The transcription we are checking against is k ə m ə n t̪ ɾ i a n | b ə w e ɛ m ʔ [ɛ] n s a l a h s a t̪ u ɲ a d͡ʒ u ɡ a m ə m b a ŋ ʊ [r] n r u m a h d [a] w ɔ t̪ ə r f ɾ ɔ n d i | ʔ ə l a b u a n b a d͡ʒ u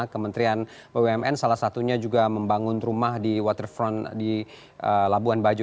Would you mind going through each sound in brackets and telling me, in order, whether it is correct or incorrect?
correct, incorrect: none, incorrect: i

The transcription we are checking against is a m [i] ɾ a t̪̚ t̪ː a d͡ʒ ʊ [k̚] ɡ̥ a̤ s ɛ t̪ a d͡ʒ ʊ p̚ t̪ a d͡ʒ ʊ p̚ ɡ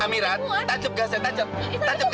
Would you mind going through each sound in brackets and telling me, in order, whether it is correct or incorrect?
correct, incorrect: p̚

